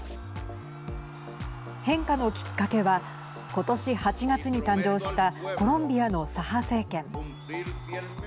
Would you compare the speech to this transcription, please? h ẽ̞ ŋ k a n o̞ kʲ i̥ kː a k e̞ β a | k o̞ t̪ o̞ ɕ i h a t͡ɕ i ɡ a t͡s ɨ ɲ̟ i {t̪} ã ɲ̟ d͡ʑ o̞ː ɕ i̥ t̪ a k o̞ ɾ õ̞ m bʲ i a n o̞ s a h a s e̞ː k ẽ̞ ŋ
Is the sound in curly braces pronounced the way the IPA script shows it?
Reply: yes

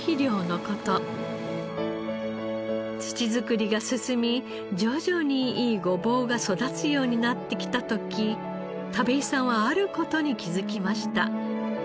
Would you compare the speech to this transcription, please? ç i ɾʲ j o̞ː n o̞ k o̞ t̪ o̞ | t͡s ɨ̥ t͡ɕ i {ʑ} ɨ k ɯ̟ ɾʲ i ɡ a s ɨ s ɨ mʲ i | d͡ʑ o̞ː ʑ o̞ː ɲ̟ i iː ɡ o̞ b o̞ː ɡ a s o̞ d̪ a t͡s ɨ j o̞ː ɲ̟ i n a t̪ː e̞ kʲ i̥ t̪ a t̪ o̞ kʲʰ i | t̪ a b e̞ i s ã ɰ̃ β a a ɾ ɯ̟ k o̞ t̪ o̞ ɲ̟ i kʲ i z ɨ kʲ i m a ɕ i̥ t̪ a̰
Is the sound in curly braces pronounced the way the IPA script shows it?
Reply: no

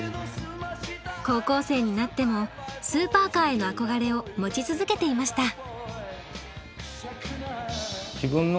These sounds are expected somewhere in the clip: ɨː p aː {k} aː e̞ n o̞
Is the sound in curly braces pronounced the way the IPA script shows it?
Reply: yes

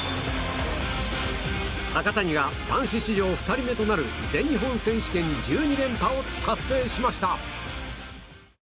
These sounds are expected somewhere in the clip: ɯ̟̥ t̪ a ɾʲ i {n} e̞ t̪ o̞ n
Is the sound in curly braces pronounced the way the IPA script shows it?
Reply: no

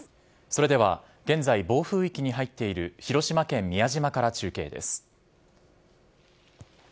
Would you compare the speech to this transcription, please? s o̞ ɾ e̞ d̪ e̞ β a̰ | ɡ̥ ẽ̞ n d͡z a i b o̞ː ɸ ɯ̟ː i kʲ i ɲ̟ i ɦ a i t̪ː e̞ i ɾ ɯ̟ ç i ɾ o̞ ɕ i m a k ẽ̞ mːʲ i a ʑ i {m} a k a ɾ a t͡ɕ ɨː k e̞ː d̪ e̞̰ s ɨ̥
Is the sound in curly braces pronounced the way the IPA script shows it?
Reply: yes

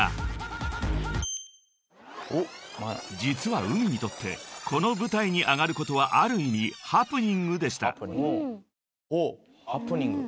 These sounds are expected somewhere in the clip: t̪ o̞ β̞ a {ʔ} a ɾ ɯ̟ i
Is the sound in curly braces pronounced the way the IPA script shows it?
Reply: yes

